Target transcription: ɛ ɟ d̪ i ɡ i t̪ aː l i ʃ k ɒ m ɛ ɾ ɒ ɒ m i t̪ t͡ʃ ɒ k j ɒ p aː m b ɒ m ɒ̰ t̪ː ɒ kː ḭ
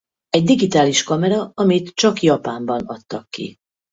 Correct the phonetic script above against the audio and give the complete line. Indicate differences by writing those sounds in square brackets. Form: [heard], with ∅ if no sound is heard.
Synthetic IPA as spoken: ɛ ɟ d̪ i ɡ i t̪ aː l i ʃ k ɒ m ɛ ɾ ɒ ɒ m i t̪ t͡ʃ ɒ k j ɒ p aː m b ɒ [n] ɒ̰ t̪ː ɒ kː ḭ

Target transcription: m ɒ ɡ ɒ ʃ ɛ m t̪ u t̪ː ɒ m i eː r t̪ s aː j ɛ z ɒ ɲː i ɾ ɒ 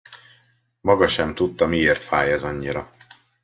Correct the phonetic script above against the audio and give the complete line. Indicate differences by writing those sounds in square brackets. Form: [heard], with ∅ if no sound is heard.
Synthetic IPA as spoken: m ɒ ɡ ɒ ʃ ɛ m t̪ u t̪ː ɒ m i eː r t̪ [f] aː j ɛ z ɒ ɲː i ɾ ɒ

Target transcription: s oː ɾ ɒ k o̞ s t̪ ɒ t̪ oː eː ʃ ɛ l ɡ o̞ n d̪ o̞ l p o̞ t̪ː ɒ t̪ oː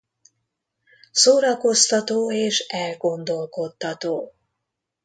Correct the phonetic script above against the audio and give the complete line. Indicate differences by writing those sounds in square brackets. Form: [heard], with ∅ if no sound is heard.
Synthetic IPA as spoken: s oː ɾ ɒ k o̞ s t̪ ɒ t̪ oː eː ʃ ɛ l ɡ o̞ n d̪ o̞ l [k] o̞ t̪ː ɒ t̪ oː

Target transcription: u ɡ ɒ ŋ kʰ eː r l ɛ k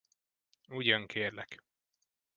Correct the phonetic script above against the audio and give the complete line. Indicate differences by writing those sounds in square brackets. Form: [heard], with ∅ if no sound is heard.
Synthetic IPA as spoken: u [ɟ] ɒ ŋ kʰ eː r l ɛ k

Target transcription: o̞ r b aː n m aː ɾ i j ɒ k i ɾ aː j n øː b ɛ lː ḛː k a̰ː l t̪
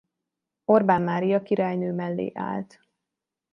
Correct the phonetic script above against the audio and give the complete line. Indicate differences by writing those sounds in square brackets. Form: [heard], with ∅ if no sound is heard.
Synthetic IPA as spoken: o̞ r b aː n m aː ɾ i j ɒ k i ɾ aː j n øː [m] ɛ lː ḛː [ʔ] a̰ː l t̪

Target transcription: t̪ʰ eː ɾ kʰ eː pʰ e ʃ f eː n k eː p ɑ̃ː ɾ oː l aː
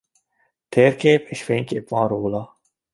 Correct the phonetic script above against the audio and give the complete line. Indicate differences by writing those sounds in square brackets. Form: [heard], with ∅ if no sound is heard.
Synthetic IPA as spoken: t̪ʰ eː ɾ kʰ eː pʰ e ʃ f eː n k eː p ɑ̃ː ɾ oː l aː

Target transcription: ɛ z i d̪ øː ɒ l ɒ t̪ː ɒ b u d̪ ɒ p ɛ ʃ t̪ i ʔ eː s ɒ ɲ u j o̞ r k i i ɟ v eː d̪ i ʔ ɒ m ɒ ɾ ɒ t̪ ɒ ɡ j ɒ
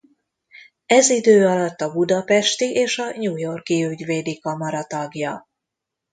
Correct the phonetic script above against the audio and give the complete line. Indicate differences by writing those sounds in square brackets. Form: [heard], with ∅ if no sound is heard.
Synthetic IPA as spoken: ɛ z i d̪ øː ɒ l ɒ t̪ː ɒ b u d̪ ɒ p ɛ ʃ t̪ i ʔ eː [ʃ] ɒ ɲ [uː] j o̞ r k i [y] ɟ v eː d̪ i [k] ɒ m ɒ ɾ ɒ t̪ ɒ ɡ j ɒ

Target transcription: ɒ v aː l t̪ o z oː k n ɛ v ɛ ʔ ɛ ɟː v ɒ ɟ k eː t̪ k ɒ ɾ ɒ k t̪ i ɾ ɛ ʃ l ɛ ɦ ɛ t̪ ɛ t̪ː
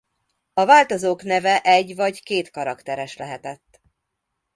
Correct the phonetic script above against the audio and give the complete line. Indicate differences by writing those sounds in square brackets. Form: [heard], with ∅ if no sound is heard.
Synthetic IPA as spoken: ɒ v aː l t̪ o z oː k n ɛ v ɛ ʔ ɛ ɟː v ɒ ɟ k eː t̪ k ɒ ɾ ɒ k t̪ [ɛ] ɾ ɛ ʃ l ɛ ɦ ɛ t̪ ɛ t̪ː

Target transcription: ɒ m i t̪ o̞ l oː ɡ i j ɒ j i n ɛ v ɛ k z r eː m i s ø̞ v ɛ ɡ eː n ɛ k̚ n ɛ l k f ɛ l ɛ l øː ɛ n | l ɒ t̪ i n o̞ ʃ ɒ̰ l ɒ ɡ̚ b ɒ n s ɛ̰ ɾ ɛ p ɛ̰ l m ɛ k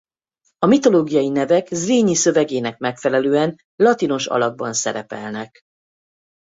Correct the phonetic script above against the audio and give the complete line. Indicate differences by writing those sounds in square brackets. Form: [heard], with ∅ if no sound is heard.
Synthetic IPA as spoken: ɒ m i t̪ o̞ l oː ɡ i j ɒ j i n ɛ v ɛ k z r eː [ɲ] i s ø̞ v ɛ ɡ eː n ɛ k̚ [m] ɛ [∅] k f ɛ l ɛ l øː ɛ n | l ɒ t̪ i n o̞ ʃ ɒ̰ l ɒ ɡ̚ b ɒ n s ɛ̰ ɾ ɛ p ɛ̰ l [n] ɛ k

